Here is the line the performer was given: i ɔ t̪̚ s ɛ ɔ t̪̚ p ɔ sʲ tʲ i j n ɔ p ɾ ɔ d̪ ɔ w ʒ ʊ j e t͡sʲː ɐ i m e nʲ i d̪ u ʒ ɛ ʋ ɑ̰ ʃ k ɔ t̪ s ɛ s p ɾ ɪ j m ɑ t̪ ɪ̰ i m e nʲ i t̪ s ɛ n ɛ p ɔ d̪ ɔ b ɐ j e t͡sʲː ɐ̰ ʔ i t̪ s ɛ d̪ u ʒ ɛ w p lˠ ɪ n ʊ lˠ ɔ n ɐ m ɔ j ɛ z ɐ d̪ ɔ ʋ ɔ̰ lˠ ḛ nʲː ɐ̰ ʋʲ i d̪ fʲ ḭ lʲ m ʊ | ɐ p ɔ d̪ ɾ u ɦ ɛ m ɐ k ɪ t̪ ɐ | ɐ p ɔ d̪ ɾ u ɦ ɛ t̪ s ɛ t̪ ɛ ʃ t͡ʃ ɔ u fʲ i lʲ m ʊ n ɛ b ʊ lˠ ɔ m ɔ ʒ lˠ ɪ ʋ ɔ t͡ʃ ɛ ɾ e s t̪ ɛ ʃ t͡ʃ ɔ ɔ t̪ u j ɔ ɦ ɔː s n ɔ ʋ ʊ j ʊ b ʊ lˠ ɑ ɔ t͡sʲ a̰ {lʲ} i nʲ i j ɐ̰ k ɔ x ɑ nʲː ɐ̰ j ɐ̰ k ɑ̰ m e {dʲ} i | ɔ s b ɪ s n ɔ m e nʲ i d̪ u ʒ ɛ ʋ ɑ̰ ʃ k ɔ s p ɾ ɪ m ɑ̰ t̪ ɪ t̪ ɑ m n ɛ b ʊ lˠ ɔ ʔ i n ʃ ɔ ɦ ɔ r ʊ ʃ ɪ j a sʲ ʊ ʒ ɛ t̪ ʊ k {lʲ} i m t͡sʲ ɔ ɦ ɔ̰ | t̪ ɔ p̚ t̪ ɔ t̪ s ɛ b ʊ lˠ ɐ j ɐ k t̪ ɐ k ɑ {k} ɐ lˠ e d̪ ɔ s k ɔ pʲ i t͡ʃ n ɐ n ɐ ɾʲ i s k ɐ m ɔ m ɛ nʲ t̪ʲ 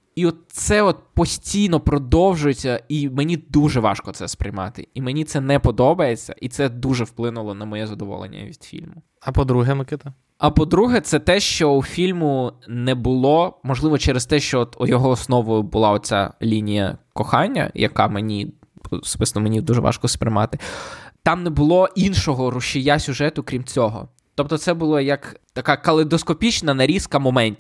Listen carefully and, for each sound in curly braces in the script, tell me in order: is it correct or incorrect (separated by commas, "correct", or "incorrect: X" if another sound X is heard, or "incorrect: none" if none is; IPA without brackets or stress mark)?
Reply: correct, incorrect: nʲ, incorrect: ɾʲ, correct